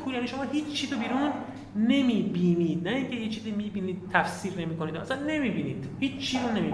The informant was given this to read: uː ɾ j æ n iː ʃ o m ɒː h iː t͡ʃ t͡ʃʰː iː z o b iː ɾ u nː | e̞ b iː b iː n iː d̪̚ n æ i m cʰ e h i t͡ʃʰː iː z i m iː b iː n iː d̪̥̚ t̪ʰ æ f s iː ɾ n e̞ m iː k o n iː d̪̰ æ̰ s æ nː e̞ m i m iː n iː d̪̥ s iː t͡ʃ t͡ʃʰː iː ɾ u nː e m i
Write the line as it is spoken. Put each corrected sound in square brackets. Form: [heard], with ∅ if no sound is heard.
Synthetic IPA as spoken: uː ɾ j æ n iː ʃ o m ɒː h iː t͡ʃ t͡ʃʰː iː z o b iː ɾ u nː | e̞ [m] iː b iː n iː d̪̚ n æ i [ŋ] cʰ e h i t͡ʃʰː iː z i m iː b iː n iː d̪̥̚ t̪ʰ æ f s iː ɾ n e̞ m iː k o n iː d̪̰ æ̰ s æ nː e̞ m i [b] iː n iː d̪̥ [h] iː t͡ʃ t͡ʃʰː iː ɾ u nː e m i